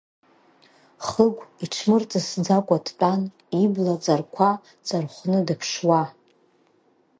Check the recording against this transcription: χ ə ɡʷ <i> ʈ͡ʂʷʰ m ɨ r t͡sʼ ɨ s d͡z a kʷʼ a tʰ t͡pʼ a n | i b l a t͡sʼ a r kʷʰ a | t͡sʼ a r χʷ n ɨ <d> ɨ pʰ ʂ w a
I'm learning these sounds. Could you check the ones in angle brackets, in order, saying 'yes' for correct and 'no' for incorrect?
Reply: yes, yes

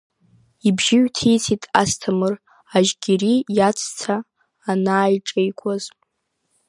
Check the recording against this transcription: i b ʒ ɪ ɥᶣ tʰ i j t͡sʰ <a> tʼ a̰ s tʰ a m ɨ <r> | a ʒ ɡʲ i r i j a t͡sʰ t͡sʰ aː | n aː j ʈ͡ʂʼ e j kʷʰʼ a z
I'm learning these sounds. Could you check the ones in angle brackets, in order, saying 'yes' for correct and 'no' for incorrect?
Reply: no, yes

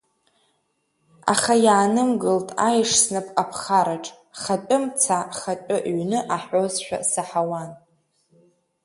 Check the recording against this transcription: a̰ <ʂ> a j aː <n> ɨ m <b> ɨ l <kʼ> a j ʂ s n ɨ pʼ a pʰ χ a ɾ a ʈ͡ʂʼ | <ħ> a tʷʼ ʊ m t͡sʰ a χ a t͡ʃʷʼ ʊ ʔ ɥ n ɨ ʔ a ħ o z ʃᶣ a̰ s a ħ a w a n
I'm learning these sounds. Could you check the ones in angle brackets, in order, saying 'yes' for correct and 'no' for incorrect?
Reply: no, yes, no, no, no

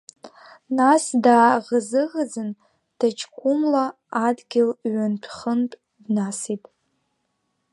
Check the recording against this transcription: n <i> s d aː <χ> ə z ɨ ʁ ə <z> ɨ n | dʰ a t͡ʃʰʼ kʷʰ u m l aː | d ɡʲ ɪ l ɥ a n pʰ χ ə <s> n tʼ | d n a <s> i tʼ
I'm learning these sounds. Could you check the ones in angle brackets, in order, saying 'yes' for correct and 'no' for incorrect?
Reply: no, no, no, no, yes

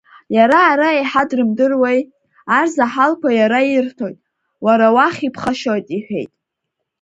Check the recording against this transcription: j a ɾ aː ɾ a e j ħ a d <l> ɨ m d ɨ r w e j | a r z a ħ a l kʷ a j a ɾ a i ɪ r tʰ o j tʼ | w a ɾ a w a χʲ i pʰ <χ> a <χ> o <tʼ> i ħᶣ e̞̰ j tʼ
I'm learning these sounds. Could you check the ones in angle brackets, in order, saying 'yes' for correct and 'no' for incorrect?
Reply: no, yes, no, yes

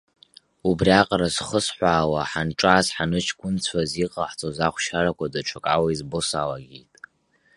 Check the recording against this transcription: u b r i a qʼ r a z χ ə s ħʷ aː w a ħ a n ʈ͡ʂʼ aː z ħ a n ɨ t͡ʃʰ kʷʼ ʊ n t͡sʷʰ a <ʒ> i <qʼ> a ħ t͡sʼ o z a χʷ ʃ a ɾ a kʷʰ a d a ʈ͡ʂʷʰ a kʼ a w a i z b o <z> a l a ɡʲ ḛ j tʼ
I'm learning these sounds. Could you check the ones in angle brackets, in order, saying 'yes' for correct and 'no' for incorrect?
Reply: no, yes, no

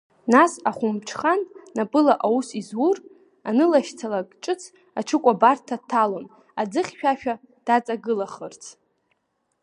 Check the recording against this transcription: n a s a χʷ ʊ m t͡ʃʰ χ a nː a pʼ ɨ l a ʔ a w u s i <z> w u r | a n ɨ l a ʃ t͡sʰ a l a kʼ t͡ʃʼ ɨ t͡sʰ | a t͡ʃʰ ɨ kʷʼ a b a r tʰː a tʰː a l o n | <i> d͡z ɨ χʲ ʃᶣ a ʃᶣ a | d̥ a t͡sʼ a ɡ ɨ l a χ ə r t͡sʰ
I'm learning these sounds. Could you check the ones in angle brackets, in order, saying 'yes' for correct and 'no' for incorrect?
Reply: yes, no

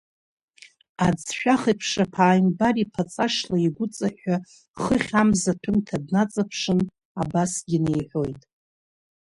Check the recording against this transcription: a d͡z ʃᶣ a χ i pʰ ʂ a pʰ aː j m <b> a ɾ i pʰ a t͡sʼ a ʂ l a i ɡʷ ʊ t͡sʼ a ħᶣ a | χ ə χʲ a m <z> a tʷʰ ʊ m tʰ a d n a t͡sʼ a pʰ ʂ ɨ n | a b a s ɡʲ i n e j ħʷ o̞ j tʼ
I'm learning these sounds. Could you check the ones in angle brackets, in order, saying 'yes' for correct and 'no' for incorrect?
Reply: yes, yes

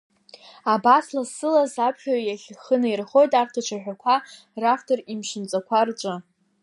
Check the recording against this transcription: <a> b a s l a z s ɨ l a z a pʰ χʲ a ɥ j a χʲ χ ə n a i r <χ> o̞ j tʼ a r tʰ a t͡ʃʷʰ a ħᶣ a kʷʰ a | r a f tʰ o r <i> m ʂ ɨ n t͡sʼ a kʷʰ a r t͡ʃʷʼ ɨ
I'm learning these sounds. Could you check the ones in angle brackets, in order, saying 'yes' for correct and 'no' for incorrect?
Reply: yes, yes, yes

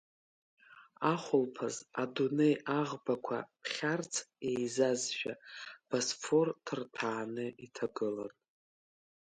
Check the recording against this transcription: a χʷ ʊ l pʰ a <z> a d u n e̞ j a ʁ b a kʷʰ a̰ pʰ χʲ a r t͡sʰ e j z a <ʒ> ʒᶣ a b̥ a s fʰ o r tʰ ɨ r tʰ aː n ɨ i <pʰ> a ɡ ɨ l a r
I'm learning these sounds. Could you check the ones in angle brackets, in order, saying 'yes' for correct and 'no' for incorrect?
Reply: yes, no, no

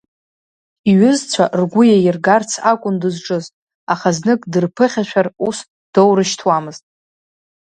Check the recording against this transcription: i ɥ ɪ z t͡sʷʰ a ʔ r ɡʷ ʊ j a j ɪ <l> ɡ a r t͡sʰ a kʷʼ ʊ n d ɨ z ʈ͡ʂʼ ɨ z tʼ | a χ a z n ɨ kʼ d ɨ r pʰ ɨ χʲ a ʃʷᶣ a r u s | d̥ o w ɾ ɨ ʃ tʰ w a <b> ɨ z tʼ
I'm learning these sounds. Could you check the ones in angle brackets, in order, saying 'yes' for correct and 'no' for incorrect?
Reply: no, no

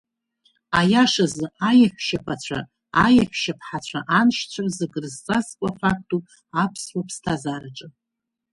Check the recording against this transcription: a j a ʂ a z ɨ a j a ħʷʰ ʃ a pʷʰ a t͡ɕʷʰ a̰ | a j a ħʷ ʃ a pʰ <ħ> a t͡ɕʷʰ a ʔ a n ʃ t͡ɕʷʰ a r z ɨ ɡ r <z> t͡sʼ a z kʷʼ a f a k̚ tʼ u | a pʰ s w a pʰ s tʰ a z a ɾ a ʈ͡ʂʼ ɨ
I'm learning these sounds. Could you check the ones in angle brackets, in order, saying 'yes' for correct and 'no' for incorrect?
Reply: yes, yes

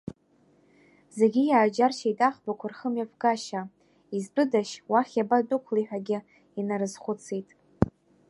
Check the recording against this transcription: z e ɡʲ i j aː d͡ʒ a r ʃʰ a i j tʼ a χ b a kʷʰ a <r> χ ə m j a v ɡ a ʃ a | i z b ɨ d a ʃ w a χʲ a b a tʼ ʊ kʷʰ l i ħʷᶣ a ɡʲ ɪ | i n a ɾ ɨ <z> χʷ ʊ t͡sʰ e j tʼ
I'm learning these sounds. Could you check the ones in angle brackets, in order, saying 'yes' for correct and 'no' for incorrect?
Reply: yes, yes

